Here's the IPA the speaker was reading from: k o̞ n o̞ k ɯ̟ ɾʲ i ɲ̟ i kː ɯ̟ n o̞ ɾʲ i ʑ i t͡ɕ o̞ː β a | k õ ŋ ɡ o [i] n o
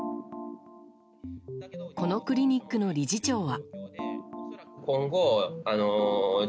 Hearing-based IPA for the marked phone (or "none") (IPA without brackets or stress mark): a